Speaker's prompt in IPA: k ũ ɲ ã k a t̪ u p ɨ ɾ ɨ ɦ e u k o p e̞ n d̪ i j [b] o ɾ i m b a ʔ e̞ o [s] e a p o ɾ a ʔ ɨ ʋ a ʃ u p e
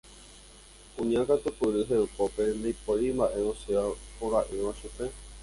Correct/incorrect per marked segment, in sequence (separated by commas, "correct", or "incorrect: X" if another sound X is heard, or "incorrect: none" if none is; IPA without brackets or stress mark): incorrect: p, correct